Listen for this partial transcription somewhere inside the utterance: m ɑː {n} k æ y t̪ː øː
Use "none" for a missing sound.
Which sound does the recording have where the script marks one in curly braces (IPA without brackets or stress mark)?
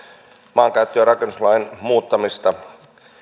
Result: ŋ